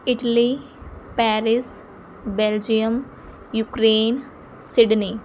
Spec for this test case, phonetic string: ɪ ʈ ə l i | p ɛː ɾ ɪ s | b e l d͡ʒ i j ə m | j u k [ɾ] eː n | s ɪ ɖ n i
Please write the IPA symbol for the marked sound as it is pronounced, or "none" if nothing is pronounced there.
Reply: ɾ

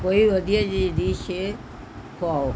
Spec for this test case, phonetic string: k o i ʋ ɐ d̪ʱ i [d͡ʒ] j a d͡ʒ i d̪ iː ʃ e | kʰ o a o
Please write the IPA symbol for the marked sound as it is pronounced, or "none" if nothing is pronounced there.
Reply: none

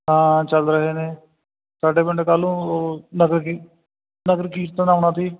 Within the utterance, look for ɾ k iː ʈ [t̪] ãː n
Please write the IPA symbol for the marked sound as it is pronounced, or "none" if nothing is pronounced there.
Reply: t̪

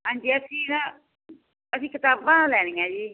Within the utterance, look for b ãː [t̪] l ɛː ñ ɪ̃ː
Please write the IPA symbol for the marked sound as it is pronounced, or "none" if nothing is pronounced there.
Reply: none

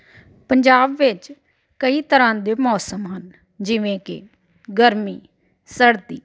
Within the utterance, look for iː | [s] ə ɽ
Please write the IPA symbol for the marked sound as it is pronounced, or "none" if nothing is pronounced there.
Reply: s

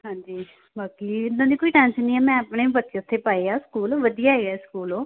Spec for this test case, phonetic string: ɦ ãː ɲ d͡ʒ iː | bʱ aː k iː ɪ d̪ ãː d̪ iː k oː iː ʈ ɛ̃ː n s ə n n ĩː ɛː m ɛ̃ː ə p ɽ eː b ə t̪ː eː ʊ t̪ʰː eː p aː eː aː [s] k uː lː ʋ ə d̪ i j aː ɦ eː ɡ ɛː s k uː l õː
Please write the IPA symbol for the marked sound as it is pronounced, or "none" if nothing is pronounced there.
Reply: s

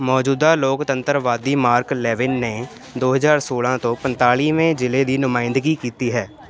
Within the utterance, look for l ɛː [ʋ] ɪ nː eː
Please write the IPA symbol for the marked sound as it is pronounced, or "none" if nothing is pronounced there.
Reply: ʋ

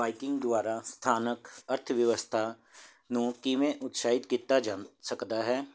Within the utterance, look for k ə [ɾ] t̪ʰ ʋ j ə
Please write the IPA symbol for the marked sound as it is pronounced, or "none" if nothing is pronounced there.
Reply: ɾ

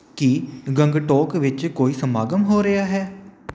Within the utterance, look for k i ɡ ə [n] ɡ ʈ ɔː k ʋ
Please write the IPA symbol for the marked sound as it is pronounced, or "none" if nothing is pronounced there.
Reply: ŋ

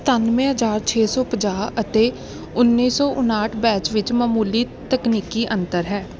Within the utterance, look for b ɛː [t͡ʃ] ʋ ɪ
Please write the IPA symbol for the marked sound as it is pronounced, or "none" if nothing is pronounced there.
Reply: t͡ʃ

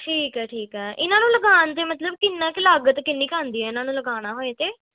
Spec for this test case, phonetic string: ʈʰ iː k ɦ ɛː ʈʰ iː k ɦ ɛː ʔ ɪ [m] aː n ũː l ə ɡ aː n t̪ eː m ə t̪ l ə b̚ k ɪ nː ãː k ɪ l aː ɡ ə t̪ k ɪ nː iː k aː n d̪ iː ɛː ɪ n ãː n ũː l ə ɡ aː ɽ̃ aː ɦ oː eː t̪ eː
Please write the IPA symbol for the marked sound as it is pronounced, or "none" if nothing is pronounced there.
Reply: n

